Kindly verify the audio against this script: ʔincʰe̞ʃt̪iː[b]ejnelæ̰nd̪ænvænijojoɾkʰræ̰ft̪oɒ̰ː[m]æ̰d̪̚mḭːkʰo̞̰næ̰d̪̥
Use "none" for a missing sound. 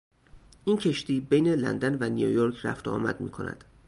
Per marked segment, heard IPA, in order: b, m

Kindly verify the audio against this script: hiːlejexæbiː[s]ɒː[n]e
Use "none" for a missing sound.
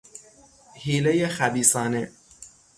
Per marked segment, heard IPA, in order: s, n

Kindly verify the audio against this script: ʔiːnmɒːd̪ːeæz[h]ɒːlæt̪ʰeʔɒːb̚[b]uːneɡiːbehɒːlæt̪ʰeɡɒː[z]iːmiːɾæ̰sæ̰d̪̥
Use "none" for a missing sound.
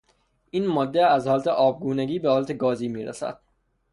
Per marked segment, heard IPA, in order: h, ɡ, z

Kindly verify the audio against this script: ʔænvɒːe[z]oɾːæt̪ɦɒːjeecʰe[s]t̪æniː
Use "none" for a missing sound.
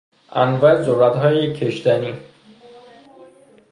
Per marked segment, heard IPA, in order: z, ʃ

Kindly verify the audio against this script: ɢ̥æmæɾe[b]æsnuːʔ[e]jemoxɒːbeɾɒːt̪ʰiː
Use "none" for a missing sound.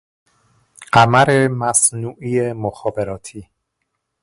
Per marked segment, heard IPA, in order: m, i

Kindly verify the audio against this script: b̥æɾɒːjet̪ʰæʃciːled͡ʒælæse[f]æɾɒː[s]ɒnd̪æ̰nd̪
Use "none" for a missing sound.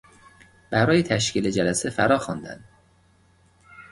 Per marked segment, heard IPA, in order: f, x

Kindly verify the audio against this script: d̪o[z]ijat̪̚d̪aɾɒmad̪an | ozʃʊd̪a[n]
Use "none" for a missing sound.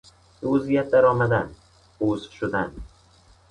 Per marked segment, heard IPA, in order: z, n

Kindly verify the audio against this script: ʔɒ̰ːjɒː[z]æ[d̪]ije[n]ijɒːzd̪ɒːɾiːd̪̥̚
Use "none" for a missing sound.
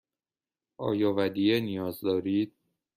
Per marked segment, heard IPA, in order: v, d̪, n

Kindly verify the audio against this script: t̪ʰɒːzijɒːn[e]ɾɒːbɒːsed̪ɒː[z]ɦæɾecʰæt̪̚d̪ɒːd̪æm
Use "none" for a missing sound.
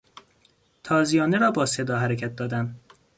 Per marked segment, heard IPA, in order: e, none

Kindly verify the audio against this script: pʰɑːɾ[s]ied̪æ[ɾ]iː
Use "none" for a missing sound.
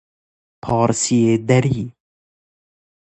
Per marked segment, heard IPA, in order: s, ɾ

